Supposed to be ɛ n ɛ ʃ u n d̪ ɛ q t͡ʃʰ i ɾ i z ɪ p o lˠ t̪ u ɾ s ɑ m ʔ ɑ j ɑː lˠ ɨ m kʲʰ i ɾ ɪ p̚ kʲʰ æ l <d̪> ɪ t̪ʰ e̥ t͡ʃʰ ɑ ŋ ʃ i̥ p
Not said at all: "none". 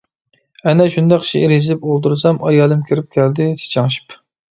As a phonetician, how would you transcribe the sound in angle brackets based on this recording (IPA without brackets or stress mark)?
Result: d̪